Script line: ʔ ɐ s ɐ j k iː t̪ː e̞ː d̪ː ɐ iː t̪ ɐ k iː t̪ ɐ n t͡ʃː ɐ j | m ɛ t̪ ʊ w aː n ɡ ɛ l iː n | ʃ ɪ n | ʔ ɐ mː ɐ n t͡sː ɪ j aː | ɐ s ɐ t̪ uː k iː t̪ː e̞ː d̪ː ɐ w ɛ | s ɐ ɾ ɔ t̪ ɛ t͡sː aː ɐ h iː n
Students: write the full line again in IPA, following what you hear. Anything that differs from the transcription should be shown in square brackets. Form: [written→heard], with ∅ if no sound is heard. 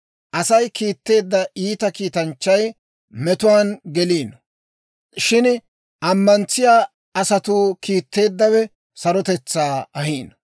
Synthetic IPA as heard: ʔ ɐ s ɐ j k iː t̪ː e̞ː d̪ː ɐ iː t̪ ɐ k iː t̪ ɐ n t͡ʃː ɐ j | m ɛ t̪ ʊ w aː n ɡ ɛ l iː n | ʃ ɪ n | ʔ ɐ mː ɐ n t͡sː ɪ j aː | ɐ s ɐ t̪ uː k iː t̪ː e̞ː d̪ː ɐ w ɛ | s ɐ ɾ ɔ t̪ ɛ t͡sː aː ɐ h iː n